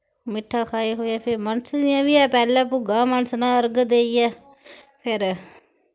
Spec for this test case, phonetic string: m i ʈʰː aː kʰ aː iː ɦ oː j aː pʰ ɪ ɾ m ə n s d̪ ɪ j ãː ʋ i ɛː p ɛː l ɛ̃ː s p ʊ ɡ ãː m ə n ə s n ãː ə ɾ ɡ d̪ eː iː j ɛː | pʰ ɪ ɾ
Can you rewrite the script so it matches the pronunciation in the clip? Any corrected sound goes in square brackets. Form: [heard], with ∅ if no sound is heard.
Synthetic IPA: m [ɪ] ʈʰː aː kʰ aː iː ɦ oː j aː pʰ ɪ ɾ m ə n s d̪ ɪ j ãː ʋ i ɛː p ɛː l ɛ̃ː [∅] p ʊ ɡ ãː m ə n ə s n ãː ə ɾ ɡ d̪ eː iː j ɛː | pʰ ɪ ɾ